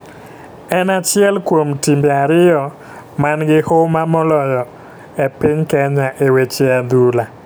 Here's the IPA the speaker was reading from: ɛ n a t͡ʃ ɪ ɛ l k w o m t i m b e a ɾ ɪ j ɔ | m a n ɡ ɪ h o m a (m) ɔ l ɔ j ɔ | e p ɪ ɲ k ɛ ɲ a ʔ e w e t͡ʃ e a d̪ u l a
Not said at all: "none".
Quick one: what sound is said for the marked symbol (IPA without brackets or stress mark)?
m